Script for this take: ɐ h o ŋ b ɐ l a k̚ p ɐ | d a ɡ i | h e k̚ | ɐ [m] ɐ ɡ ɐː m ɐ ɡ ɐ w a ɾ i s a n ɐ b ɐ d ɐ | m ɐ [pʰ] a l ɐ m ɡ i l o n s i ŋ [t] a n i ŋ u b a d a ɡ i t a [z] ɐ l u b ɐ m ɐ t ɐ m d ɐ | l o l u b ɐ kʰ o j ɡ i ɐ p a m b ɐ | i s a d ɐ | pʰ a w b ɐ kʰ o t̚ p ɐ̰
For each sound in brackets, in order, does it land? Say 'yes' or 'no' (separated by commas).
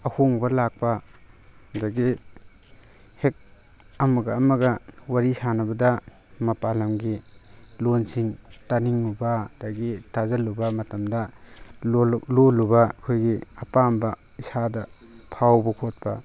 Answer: yes, no, yes, yes